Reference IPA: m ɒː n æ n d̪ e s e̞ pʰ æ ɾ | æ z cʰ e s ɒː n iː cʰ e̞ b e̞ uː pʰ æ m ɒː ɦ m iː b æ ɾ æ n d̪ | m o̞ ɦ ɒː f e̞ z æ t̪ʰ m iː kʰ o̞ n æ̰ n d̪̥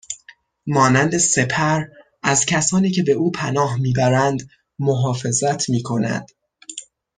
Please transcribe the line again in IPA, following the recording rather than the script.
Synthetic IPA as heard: m ɒː n æ n d̪ e s e̞ pʰ æ ɾ | æ z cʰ æ s ɒː n iː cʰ e̞ b e̞ uː pʰ æ n ɒː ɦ m iː b æ ɾ æ n d̪ | m o̞ ɦ ɒː f e̞ z æ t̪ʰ m iː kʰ o̞ n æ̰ n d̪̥